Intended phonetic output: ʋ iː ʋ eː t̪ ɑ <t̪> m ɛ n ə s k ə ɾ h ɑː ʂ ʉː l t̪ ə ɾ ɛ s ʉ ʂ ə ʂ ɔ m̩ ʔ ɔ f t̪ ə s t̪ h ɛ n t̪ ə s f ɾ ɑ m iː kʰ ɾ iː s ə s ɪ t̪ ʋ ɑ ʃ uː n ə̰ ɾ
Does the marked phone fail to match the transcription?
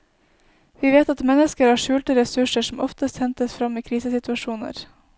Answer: no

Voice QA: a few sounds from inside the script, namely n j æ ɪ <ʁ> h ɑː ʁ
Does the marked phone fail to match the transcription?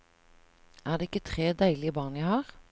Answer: yes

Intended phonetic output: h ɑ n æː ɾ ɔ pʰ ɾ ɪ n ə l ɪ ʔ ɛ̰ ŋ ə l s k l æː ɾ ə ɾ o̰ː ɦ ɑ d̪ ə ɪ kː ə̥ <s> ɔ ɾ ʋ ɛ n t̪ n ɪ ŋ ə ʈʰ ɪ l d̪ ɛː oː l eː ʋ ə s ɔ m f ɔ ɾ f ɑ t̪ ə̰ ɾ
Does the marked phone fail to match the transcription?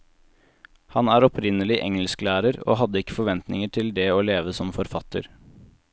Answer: yes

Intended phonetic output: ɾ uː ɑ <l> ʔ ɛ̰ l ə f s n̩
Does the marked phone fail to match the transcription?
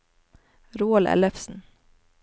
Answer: no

